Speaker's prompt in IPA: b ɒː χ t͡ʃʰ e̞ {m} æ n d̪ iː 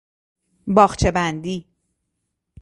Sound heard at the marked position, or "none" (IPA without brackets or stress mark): b